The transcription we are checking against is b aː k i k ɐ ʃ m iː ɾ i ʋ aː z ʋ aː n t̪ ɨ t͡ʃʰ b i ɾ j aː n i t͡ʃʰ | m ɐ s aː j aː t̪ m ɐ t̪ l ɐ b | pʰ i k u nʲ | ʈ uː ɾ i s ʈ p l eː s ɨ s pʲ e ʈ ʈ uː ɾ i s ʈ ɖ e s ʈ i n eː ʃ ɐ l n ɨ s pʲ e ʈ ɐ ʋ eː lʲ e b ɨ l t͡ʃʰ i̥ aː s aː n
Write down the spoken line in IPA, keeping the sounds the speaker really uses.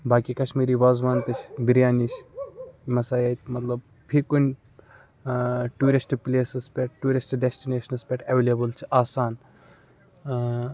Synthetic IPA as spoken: b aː k i k ɐ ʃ m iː ɾ i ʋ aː z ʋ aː n t̪ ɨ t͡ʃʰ b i ɾ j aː n i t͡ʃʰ | m ɐ s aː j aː t̪ m ɐ t̪ l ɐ b | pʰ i k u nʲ | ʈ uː ɾ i s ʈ p l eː s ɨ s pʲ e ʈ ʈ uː ɾ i s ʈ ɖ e s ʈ i n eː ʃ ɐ n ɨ s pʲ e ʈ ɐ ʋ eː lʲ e b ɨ l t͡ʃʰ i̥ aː s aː n